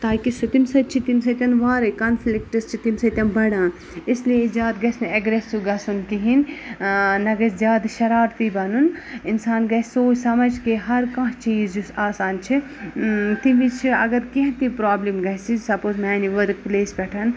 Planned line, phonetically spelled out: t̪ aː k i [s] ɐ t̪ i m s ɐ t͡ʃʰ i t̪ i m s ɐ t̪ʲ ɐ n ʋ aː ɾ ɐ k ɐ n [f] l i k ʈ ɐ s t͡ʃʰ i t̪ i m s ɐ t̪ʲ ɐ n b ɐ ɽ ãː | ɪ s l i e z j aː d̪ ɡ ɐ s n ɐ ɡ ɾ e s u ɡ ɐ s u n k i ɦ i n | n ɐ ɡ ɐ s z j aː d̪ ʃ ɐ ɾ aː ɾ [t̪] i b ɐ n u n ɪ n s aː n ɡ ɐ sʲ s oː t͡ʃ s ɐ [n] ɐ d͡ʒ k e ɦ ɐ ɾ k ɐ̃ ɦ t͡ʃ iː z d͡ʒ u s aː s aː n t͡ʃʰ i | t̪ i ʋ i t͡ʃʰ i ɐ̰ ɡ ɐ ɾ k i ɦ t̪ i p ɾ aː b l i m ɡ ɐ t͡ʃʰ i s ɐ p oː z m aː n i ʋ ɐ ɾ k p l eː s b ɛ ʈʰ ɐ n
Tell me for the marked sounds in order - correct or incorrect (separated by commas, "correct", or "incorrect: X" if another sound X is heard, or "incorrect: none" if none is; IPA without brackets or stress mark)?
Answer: correct, correct, correct, incorrect: m